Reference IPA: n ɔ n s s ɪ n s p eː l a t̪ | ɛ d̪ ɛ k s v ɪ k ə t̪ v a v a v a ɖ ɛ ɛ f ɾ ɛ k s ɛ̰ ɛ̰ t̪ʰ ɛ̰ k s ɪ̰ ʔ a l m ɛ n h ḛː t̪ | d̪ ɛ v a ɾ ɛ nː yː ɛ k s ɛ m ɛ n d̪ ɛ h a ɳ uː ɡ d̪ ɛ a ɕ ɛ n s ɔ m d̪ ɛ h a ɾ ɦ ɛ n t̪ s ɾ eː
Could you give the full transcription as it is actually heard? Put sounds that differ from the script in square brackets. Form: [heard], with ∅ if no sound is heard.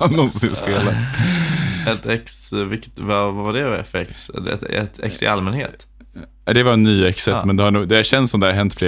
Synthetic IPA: n ɔ n s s ɪ n s p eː l a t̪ | ɛ [t̪] ɛ k s v ɪ k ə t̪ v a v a v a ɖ ɛ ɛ f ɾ ɛ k s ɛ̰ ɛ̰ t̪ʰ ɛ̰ k s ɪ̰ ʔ a l m ɛ n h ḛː t̪ | d̪ ɛ v a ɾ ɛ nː yː ɛ k s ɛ m ɛ n d̪ ɛ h a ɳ uː ɡ d̪ ɛ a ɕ ɛ n s ɔ m d̪ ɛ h a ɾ ɦ ɛ n t̪ [f] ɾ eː